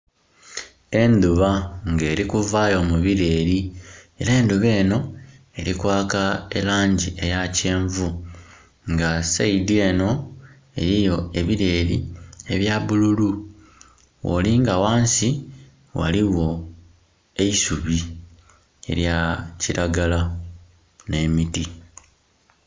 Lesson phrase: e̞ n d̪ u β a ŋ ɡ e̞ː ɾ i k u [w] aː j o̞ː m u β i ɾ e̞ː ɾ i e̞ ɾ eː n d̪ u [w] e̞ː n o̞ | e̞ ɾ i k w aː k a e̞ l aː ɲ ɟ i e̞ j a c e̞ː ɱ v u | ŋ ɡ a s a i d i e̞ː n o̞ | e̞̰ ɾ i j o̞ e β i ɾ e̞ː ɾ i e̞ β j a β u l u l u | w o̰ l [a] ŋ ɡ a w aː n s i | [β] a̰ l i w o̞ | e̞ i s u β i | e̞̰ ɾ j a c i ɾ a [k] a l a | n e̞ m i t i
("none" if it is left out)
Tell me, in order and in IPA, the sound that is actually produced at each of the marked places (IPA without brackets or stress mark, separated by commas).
v, β, i, w, ɡ